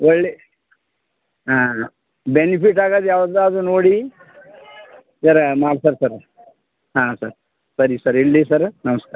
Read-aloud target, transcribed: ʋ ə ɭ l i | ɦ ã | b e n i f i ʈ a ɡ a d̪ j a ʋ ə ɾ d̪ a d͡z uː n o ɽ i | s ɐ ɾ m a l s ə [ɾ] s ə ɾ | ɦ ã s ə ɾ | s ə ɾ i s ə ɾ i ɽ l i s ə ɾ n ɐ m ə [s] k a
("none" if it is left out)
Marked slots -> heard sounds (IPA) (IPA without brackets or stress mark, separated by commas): ɾ, s